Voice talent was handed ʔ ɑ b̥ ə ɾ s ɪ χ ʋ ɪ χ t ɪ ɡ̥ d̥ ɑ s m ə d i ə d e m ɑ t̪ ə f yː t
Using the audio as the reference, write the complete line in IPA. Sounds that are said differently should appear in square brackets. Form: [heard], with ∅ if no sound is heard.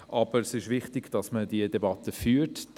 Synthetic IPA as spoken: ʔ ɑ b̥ ə ɾ s ɪ [ʃ] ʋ ɪ χ t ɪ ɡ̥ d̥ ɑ s m ə d i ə d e [b] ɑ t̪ ə f yː t